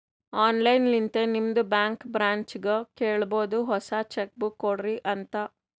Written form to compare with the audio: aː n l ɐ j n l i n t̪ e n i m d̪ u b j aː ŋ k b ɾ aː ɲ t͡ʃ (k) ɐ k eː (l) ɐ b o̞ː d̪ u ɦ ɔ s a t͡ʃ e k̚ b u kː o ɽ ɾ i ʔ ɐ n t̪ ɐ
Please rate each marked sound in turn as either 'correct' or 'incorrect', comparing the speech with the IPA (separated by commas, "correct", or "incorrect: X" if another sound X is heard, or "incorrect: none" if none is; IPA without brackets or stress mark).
incorrect: ɡ, incorrect: ɭ